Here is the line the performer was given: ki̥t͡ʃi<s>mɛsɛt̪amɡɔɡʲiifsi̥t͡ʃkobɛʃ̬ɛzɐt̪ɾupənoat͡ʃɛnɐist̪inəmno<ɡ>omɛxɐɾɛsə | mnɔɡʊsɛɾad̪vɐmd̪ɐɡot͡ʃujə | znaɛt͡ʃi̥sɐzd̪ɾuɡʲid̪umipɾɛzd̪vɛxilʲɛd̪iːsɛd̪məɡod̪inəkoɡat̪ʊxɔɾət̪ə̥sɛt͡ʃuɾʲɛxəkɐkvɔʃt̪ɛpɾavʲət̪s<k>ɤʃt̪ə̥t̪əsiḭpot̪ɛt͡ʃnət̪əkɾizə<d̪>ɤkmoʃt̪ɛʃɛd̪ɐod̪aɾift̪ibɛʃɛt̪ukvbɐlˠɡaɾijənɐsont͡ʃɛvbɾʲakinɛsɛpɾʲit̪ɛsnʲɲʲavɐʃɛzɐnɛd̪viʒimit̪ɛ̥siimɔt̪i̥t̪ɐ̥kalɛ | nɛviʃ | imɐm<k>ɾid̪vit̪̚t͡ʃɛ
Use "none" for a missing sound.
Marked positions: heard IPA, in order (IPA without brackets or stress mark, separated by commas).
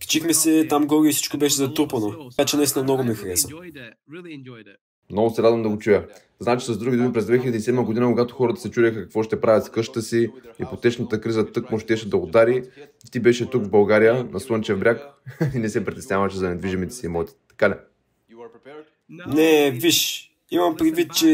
x, ɡ, k, t̪, p